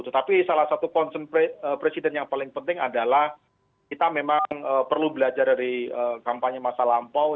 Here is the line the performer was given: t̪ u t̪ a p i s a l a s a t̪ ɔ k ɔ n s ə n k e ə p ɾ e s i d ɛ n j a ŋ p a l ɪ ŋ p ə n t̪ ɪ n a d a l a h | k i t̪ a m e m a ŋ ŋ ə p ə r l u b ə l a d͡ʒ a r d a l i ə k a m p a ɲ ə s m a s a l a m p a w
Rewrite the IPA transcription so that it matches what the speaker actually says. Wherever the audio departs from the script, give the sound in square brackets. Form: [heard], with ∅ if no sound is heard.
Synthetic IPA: t̪ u t̪ a p i s a l a s a t̪ [u] k ɔ n s ə n [p] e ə p ɾ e s i d ɛ n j a ŋ p a l ɪ ŋ p ə n t̪ ɪ [ŋ] a d a l a h | k i t̪ a m e m a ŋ ŋ ə p ə r l u b ə l a d͡ʒ a r d a [ɾ] i ə k a m p a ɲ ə [∅] m a s a l a m p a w